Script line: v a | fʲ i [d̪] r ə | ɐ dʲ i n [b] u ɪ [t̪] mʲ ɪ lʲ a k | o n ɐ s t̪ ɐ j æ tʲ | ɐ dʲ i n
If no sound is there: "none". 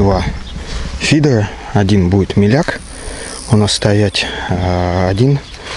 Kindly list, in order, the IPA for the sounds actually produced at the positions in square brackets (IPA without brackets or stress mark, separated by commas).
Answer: d̪, b, t̪